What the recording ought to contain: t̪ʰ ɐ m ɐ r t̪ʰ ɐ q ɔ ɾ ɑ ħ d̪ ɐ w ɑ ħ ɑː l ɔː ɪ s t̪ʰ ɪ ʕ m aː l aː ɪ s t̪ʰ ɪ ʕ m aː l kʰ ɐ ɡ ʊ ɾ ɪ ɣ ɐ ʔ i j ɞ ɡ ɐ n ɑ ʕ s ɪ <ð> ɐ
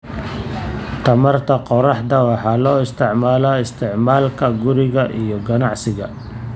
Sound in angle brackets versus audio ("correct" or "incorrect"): incorrect